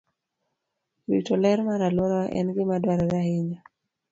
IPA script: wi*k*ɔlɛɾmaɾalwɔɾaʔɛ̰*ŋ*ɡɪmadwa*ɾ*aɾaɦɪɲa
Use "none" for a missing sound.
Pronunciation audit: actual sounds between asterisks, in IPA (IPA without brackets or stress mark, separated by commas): t, n, ɾ